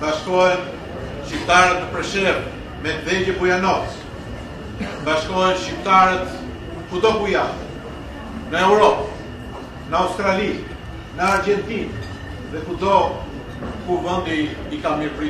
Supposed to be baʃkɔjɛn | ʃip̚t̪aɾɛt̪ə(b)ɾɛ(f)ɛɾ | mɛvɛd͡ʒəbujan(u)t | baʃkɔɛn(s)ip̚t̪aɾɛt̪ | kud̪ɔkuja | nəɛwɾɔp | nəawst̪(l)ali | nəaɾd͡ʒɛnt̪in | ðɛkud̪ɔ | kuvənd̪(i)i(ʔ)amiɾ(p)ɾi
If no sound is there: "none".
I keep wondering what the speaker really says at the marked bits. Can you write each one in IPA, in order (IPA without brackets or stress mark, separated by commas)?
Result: p, ʃ, ɔ, ʃ, ɾ, i, k, p